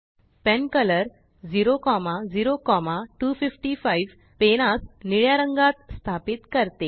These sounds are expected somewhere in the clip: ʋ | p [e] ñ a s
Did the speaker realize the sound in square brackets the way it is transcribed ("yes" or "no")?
yes